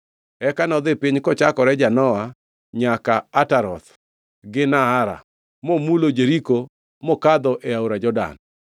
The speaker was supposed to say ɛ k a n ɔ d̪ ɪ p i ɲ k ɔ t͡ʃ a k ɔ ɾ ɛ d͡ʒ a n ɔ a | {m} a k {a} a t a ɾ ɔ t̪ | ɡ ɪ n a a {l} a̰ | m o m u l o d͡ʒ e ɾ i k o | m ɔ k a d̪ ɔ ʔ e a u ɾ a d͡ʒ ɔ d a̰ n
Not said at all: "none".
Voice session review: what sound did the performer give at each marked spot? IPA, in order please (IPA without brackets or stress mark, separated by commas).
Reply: ɲ, a, ɾ